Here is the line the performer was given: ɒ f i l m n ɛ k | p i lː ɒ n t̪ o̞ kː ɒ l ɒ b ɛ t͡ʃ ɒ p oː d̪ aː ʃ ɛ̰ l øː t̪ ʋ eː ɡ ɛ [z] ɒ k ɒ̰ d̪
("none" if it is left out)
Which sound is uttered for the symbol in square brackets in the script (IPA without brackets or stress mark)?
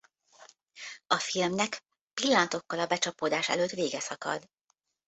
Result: s